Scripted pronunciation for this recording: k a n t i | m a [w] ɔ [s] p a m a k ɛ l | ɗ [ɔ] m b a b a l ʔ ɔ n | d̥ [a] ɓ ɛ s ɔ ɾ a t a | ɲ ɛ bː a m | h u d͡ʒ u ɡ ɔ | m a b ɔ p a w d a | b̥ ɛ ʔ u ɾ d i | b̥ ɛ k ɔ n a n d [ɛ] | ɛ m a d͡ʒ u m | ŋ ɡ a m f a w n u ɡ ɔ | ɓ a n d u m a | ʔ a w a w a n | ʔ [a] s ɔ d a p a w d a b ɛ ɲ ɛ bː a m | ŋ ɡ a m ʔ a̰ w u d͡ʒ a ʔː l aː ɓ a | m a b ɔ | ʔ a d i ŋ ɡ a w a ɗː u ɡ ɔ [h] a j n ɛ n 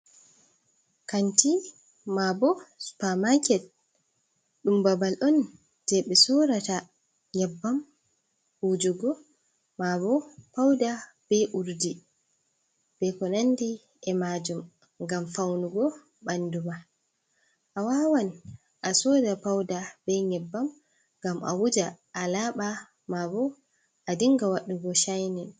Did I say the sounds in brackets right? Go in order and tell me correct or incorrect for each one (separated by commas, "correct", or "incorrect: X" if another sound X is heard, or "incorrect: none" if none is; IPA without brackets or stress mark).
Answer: incorrect: b, correct, incorrect: u, incorrect: ɛ, incorrect: i, correct, incorrect: ʃ